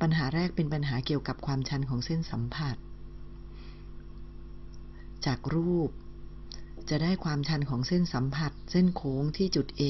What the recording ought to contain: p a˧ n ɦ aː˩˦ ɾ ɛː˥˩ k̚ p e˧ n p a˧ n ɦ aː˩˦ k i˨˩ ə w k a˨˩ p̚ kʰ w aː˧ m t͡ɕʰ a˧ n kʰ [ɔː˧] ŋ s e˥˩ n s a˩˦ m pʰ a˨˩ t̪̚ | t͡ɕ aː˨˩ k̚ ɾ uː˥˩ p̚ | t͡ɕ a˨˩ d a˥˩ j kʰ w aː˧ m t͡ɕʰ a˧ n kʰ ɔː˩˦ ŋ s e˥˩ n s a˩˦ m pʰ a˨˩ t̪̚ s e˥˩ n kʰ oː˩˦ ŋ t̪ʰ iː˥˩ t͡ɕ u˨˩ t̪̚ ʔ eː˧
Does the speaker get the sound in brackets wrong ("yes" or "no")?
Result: yes